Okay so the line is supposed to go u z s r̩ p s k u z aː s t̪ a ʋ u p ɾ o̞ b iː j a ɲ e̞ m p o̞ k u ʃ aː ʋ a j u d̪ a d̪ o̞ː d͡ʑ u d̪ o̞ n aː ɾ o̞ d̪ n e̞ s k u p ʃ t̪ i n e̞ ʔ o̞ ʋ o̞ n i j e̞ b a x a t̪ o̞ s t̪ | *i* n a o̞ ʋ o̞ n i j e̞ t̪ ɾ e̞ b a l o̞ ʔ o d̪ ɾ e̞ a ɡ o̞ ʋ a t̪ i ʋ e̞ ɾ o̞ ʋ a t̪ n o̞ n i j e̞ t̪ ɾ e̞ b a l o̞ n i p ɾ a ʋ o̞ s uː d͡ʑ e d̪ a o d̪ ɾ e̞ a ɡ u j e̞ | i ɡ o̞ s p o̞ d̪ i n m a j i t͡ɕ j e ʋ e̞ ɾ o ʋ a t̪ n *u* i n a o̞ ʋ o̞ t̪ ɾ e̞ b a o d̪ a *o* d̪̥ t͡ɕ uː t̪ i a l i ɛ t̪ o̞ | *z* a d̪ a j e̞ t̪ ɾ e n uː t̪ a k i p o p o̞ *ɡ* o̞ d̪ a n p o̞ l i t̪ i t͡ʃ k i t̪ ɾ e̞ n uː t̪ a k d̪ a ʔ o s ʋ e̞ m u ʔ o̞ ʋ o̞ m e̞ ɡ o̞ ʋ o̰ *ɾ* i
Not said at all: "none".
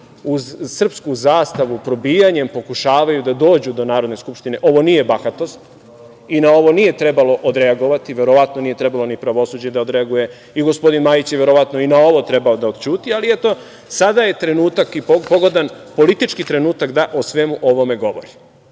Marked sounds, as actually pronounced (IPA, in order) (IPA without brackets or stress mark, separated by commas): i, o, o, s, ɡ, ɾ